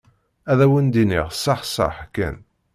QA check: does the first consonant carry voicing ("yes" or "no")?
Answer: yes